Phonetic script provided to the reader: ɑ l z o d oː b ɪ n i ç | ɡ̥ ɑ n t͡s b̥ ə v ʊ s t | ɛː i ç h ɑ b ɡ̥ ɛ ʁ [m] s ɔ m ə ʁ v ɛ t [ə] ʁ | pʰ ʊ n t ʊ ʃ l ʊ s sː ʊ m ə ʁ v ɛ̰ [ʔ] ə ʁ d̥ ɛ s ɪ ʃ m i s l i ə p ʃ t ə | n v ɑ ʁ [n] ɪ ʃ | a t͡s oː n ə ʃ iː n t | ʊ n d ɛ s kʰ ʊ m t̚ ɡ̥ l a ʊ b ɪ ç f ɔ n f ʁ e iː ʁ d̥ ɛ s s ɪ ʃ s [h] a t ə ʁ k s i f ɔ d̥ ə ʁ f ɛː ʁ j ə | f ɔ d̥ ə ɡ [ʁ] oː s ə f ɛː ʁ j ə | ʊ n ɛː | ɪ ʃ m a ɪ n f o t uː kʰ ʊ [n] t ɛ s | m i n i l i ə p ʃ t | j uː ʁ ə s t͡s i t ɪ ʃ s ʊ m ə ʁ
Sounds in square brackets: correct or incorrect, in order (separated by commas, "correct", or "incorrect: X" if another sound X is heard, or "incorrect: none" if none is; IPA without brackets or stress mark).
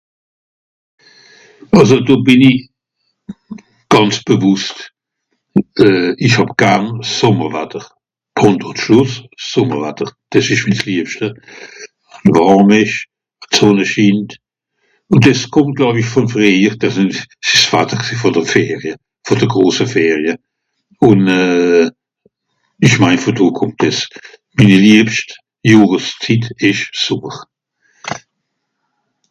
incorrect: n, correct, incorrect: t, incorrect: m, incorrect: f, correct, incorrect: m